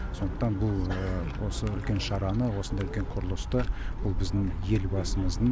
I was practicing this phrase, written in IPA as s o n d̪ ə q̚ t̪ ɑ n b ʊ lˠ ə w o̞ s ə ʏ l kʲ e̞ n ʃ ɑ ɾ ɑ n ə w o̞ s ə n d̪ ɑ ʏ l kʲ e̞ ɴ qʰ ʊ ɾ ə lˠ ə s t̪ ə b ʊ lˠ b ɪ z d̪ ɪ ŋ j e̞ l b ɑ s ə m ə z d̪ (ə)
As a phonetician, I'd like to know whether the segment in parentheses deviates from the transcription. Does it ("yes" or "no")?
no